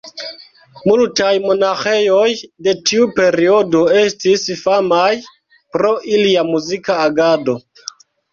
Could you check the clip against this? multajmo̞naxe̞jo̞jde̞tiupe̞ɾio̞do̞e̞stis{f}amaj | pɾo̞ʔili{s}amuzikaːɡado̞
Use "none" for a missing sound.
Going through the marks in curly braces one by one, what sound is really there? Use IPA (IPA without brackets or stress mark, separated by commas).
f, none